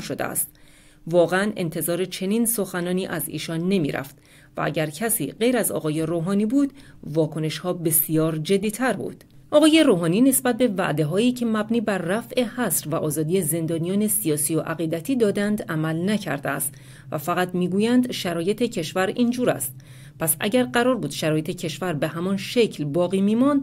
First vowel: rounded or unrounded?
rounded